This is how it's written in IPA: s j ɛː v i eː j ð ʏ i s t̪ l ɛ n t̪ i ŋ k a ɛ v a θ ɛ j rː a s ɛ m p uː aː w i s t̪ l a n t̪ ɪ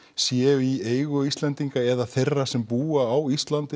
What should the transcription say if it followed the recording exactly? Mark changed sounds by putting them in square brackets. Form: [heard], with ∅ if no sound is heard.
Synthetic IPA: s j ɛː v i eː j [ɣ] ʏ i s t̪ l ɛ n t̪ i ŋ k a ɛ [ð] a θ [e] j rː a s ɛ m p uː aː w i s t̪ l a n t̪ ɪ